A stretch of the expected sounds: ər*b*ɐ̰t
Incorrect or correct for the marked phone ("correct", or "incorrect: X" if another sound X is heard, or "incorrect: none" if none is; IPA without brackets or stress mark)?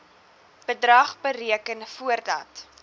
incorrect: d